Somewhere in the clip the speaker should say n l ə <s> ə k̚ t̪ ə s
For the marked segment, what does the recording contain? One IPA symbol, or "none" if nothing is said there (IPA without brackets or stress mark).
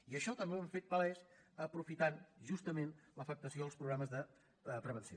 f